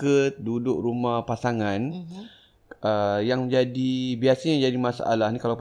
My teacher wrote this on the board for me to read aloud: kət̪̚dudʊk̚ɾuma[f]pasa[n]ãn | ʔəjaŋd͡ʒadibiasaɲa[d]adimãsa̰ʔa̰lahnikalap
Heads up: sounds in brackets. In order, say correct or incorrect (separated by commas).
incorrect, incorrect, incorrect